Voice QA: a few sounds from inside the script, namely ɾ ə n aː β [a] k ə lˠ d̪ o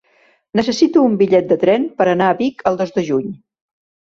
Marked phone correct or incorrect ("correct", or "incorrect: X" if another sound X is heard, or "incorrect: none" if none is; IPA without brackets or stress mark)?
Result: incorrect: i